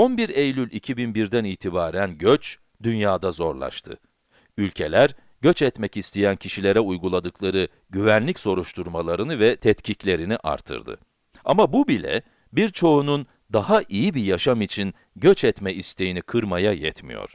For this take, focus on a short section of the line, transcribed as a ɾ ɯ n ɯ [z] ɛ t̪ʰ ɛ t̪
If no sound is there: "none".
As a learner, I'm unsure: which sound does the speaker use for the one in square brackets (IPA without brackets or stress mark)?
v